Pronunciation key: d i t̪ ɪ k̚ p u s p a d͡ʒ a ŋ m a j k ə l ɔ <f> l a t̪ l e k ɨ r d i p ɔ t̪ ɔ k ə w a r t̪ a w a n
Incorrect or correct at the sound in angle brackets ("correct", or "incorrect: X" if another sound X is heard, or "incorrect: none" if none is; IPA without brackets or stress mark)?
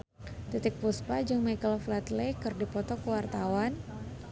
correct